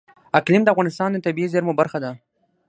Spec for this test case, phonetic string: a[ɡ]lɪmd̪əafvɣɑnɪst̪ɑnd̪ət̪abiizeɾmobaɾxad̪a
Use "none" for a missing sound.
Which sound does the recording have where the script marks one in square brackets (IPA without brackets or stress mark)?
k